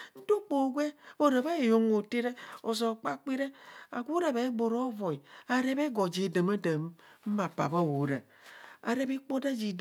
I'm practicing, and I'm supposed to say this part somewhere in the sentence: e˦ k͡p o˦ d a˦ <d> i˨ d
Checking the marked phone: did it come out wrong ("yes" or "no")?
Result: yes